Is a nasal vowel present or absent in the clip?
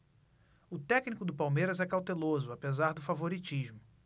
absent